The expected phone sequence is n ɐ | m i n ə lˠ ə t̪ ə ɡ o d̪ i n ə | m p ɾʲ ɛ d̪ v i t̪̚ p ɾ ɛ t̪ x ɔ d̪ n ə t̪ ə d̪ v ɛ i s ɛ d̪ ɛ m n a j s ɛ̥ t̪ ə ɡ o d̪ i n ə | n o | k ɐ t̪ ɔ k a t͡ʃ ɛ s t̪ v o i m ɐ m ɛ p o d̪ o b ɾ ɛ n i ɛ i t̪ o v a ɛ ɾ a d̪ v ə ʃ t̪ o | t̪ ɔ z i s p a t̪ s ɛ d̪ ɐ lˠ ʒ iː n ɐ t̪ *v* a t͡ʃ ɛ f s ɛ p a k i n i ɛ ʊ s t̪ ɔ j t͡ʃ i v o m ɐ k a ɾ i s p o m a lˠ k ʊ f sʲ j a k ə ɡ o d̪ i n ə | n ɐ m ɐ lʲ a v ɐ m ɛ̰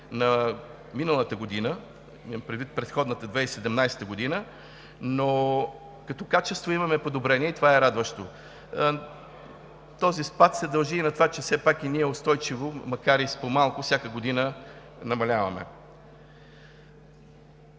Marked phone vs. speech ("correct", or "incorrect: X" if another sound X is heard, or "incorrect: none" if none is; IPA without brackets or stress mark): correct